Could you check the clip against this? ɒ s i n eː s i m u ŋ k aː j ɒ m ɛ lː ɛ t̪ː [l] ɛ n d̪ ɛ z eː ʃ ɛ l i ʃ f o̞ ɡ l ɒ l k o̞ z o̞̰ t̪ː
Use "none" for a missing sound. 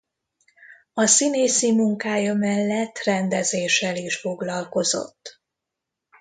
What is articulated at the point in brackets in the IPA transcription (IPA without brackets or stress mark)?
r